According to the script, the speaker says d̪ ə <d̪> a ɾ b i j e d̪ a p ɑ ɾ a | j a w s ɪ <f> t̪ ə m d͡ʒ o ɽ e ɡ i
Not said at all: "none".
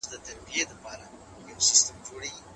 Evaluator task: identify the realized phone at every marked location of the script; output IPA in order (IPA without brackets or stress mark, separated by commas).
t̪, s